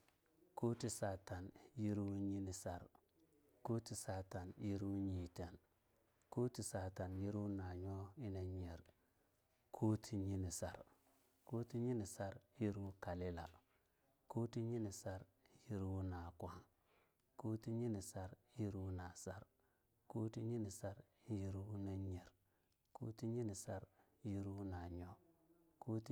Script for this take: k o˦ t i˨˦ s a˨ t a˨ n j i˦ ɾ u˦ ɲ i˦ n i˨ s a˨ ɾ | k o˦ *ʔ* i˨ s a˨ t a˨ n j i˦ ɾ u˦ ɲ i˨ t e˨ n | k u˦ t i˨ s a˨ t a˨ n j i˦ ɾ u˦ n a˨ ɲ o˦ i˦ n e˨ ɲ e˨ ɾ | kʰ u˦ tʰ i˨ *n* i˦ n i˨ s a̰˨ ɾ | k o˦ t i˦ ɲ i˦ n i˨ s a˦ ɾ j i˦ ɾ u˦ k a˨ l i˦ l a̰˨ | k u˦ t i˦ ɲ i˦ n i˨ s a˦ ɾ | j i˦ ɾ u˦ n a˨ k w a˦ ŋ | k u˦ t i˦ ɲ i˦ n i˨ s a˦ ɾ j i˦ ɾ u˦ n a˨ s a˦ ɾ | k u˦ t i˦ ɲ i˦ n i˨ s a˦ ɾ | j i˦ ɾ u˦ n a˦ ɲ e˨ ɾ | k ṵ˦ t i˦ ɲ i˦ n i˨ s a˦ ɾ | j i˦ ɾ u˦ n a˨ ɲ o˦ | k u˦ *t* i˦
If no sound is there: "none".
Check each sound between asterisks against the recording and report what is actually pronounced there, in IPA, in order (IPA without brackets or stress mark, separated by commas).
t, ɲ, t